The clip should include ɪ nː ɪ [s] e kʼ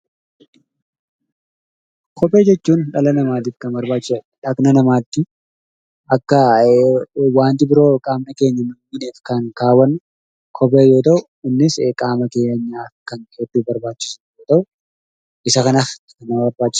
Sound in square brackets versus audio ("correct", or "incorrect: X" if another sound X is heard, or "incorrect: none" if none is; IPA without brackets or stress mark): correct